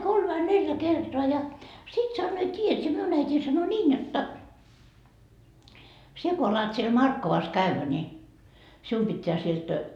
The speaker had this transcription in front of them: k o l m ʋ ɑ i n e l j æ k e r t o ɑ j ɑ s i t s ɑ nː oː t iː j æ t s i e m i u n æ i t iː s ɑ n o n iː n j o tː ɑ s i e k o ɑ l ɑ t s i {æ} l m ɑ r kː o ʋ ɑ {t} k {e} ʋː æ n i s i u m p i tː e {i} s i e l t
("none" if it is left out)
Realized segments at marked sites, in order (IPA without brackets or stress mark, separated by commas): e, s, æ, æ